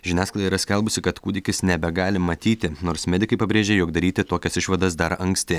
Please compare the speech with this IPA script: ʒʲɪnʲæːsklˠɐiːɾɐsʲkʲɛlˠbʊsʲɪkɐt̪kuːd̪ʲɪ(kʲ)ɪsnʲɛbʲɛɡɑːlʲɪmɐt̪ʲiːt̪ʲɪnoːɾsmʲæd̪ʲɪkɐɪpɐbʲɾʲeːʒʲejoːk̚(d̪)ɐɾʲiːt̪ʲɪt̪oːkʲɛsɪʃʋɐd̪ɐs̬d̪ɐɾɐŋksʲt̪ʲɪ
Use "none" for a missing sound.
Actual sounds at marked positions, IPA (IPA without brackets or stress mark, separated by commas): kʲ, d̪